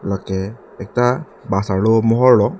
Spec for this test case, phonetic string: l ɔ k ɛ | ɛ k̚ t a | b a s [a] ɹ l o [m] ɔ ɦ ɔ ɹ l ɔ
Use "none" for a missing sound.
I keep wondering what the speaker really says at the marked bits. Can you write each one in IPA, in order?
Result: a, m

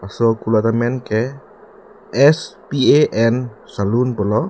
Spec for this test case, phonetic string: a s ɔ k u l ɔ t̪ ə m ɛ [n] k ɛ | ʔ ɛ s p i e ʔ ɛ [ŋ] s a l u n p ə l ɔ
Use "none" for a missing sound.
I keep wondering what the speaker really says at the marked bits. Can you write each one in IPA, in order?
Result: n, n

